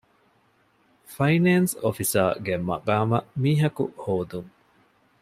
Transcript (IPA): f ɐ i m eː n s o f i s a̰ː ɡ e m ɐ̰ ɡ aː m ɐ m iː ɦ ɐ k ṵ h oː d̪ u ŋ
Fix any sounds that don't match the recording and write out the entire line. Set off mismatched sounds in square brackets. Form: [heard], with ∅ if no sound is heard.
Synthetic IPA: f ɐ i [n] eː n s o f i s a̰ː ɡ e m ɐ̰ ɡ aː m ɐ m iː ɦ ɐ k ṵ h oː d̪ u ŋ